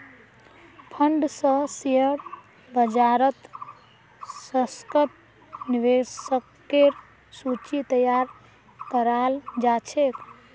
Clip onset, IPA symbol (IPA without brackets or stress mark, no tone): pʰ